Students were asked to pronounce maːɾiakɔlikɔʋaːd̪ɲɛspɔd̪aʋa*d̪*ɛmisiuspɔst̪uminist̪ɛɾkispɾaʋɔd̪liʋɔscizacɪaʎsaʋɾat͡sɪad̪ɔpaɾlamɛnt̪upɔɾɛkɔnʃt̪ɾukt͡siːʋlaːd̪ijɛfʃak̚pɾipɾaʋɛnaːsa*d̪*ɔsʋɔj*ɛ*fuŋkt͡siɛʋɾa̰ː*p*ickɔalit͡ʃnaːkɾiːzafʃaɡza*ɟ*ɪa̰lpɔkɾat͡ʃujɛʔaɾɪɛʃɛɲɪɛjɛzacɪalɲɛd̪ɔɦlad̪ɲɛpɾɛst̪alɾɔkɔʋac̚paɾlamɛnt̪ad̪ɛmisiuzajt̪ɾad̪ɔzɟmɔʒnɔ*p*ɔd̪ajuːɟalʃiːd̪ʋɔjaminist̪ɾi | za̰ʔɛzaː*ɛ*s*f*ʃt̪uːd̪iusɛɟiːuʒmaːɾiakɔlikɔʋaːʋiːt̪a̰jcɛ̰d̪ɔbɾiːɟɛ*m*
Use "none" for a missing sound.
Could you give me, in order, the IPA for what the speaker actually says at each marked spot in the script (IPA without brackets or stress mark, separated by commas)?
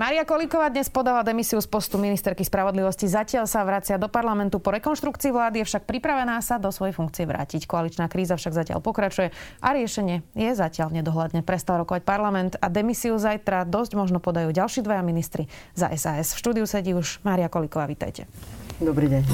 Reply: d̪, d̪, ɛ, c, c, p, ɛ, f, ɲ